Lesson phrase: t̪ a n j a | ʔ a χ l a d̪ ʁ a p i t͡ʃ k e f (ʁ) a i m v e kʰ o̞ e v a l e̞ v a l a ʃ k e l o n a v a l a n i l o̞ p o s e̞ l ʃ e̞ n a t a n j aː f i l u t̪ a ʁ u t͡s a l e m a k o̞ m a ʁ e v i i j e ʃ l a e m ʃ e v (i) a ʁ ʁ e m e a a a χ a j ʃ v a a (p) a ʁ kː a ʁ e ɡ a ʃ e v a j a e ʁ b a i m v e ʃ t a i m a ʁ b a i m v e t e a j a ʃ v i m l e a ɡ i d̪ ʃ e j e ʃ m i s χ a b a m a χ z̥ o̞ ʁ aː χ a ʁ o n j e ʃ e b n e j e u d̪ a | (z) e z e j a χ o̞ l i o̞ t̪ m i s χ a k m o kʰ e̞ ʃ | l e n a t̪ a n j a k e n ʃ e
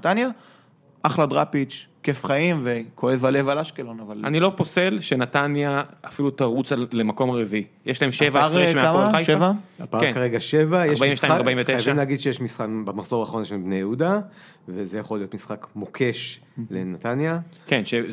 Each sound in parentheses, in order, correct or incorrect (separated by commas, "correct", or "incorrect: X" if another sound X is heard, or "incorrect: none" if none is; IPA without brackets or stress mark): incorrect: χ, incorrect: a, correct, incorrect: v